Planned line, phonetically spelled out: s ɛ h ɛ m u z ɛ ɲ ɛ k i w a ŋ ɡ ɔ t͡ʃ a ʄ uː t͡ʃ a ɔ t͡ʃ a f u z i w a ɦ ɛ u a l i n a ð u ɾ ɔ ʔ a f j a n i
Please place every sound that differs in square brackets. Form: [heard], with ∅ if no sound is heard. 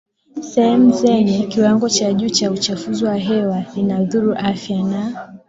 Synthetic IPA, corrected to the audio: s ɛ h ɛ m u z ɛ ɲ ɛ k i w a ŋ ɡ ɔ t͡ʃ a ʄ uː t͡ʃ a [u] t͡ʃ a f u z i w a ɦ ɛ [w] a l i n a ð u ɾ [u] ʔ a f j a n [a]